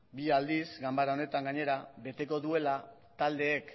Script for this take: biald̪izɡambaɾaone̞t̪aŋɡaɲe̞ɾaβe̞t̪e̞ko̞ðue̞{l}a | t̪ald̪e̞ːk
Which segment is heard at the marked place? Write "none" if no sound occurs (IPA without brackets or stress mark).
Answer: l